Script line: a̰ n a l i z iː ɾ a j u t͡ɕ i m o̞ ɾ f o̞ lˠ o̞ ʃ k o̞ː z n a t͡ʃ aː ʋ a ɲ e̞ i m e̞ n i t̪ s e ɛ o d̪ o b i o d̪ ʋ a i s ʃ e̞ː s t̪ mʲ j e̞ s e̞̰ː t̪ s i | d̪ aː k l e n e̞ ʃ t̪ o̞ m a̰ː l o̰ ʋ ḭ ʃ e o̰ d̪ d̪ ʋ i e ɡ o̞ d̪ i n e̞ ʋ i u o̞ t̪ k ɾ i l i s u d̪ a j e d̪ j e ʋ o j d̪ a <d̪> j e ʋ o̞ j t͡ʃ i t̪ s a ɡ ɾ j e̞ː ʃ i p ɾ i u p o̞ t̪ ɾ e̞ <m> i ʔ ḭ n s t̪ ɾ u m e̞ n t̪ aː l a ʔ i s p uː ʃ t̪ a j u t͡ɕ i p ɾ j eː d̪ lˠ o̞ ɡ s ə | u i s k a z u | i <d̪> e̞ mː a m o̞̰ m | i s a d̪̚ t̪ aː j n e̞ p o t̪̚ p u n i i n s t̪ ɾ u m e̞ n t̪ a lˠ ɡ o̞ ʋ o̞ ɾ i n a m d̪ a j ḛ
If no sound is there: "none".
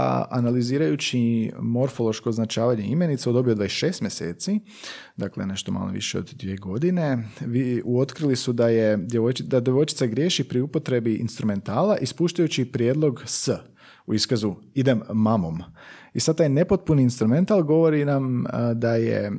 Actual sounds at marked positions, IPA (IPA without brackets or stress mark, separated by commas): d̪, b, d̪